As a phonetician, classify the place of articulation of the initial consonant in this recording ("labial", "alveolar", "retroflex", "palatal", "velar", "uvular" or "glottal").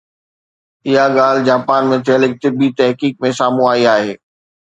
glottal